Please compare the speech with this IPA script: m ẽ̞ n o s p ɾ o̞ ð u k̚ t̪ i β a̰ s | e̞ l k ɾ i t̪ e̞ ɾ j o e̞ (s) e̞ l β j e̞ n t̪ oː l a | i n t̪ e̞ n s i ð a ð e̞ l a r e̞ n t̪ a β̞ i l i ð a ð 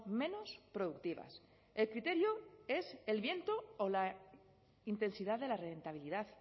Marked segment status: correct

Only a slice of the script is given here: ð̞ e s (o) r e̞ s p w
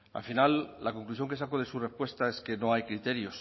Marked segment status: incorrect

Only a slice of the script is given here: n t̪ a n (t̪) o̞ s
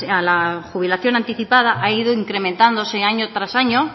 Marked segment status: incorrect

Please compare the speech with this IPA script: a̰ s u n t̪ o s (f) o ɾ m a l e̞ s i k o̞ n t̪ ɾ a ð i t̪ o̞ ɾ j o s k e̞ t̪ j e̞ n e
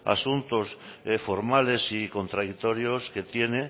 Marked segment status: correct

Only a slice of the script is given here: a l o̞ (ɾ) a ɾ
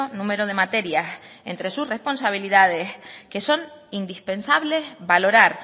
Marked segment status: correct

